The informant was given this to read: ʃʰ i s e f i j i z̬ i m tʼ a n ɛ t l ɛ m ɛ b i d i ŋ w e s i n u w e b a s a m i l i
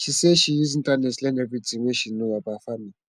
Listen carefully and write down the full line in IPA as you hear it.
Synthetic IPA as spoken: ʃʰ i s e ʃ i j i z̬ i n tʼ a n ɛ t l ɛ n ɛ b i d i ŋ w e ʃ i n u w a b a f a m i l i

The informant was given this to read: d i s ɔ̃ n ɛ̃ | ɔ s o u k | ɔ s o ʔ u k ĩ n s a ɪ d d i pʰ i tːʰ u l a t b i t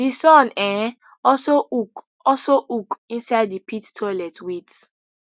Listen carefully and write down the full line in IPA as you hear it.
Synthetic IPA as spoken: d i s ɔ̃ n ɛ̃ | ɔ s o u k | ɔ s o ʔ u k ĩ n s a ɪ d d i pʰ i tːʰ ɔ l ɛ t w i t

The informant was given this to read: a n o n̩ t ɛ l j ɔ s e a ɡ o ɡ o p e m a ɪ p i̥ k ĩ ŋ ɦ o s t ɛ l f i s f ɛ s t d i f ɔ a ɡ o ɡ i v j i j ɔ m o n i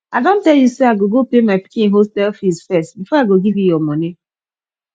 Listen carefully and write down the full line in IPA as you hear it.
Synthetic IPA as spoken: a d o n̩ t ɛ l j u s e a ɡ o ɡ o p e m a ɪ p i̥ k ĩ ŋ ɦ o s t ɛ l f i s f ɛ s t b i f ɔ a ɡ o ɡ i v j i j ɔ m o n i

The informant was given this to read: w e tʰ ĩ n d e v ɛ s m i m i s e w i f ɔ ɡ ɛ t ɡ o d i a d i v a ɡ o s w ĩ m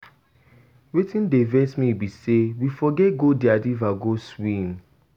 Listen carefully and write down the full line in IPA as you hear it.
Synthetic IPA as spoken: w e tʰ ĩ n d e v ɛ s m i b i s e w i f ɔ ɡ ɛ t ɡ o d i a d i v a ɡ o s w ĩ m

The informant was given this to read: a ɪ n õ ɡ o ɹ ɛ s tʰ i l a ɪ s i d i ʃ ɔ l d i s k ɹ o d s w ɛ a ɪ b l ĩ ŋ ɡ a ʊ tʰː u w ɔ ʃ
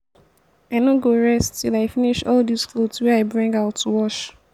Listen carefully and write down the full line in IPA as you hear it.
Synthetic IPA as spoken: a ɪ n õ ɡ o ɹ ɛ s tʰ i l a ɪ f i n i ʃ ɔ l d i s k l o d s w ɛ a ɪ b ɹ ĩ ŋ ɡ a ʊ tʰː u w ɔ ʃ

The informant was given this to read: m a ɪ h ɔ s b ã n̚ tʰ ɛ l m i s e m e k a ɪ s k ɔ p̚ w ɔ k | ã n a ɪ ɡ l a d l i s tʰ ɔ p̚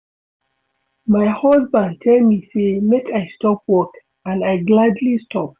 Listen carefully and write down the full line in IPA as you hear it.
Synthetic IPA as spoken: m a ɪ h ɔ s b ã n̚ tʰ ɛ l m i s e m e k a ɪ s t ɔ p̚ w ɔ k | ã n a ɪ ɡ l a d l i s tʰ ɔ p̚

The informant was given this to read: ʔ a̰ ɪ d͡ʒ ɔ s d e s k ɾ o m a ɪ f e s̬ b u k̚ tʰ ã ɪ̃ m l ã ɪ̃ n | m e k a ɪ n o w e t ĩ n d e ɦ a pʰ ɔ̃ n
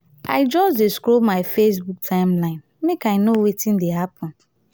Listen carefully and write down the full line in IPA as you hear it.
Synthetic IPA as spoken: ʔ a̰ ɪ d͡ʒ ɔ s d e s k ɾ o m a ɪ f e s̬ b u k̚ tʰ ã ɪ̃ m l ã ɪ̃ n | m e k a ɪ n o w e t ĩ n d e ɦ a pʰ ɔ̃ n

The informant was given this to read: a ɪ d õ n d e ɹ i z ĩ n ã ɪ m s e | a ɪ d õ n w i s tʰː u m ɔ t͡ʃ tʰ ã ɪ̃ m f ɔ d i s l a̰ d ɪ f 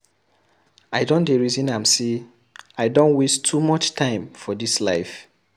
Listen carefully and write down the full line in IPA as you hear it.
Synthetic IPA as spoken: a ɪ d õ n d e ɹ i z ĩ n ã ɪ m s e | a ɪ d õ n w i s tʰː u m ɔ t͡ʃ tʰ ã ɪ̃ m f ɔ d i s l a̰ ɪ f

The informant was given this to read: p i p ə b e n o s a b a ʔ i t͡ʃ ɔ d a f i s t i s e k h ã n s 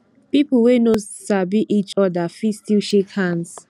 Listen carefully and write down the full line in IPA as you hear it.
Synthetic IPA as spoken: p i p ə w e n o s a b i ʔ i t͡ʃ ɔ d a f i s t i ʃ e k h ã n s

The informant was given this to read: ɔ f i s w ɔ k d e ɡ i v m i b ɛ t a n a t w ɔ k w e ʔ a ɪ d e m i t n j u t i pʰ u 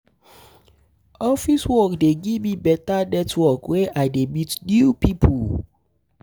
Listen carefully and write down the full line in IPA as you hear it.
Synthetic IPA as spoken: ɔ f i s w ɔ k d e ɡ i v m i b ɛ t a n ɛ t w ɔ k w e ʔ a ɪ d e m i t n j u p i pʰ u

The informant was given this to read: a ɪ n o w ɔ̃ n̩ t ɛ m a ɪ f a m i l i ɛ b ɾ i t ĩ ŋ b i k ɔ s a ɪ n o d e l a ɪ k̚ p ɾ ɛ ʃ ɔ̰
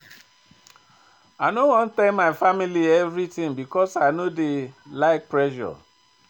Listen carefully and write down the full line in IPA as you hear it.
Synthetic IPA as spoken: a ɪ n o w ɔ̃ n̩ t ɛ m a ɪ f a m i l i ɛ v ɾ i t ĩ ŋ b i k ɔ s a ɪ n o d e l a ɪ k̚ p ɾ ɛ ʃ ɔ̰

